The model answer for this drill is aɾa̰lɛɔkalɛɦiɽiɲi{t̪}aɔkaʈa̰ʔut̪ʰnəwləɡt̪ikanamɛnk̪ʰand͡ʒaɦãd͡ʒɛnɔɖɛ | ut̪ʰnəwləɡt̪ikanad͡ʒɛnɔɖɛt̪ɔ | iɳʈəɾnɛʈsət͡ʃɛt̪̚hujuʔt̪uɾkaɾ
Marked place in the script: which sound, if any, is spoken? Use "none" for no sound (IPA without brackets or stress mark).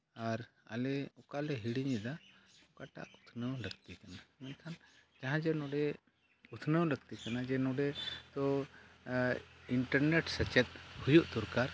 d̪